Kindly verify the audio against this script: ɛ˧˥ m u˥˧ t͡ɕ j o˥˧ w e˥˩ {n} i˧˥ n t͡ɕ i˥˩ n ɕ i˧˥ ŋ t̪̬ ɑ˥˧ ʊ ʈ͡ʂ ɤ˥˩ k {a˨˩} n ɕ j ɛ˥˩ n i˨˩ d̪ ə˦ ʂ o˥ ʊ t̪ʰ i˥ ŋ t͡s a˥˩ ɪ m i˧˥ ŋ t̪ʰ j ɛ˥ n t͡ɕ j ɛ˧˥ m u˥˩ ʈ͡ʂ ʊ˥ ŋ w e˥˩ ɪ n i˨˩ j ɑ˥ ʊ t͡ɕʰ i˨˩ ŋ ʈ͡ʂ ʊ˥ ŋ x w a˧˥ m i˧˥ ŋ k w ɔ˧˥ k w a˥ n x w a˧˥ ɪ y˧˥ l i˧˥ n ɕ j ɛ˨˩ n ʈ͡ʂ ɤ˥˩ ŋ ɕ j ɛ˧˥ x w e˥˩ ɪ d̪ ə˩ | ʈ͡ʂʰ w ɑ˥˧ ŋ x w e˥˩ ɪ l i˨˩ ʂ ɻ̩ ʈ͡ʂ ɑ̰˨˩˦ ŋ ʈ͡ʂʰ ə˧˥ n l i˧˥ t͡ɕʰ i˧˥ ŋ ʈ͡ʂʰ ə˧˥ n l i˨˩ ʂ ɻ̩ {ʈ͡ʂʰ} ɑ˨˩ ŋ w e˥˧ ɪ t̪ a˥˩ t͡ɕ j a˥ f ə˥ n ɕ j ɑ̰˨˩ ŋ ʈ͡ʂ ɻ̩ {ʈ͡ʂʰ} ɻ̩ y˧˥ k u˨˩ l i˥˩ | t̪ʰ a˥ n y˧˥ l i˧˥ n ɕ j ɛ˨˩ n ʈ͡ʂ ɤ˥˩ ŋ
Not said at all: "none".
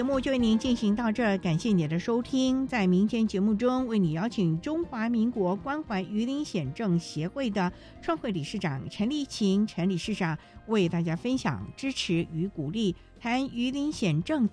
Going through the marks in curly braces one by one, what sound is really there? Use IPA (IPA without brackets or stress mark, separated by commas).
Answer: n, a˨˩, ʈ͡ʂ, ʈ͡ʂʰ